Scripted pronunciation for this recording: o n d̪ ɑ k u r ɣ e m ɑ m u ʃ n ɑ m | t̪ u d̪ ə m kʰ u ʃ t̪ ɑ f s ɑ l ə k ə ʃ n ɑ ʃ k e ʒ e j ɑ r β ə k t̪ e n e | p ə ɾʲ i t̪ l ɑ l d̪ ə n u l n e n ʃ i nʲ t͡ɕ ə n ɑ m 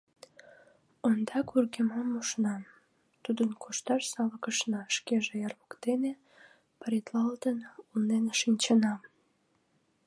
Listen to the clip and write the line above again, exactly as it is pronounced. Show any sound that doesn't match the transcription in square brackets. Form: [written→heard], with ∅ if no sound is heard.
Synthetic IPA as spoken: o n d̪ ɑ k u r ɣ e m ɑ m u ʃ n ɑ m | t̪ u d̪ ə [m→n] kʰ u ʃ t̪ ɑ [f→ʃ] s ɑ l ə k ə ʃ n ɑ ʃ k e ʒ e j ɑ r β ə k t̪ e n e | p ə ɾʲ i t̪ l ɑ l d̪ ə n u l n e n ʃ i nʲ t͡ɕ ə n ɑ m